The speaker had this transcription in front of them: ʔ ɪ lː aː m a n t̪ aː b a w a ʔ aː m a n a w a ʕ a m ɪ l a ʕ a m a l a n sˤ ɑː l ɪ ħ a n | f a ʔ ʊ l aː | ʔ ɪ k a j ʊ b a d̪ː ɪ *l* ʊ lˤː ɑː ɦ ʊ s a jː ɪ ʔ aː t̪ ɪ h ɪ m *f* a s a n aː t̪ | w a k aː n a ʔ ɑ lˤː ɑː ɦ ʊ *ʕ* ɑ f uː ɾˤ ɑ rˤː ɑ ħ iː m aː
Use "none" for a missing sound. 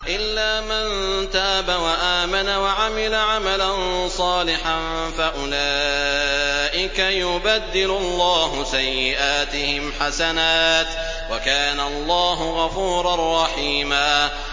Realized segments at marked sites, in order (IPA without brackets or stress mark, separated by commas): l, ħ, ɣ